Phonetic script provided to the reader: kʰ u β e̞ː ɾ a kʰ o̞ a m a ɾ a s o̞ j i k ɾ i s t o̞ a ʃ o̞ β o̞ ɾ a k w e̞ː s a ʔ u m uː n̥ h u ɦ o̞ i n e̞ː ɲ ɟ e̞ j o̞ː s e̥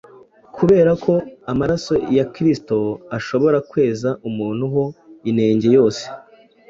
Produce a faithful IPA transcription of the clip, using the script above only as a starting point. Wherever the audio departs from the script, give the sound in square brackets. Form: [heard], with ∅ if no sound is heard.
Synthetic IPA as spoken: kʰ u β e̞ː ɾ a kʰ o̞ a m a ɾ a s o̞ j [a] k ɾ i s t o̞ a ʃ o̞ β o̞ ɾ a k w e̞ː [z] a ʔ u m uː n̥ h u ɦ o̞ i n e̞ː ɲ ɟ e̞ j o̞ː s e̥